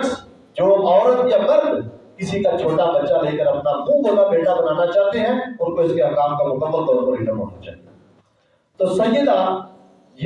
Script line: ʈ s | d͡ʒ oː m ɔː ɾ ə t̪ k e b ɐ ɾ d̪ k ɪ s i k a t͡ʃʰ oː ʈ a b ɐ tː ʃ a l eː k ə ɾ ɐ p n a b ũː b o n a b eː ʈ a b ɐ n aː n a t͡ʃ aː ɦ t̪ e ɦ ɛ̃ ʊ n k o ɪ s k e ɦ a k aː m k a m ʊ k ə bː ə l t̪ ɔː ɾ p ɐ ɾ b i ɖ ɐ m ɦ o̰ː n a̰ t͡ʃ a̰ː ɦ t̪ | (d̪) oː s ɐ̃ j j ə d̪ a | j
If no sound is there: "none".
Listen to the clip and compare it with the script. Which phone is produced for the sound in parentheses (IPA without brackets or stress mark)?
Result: t̪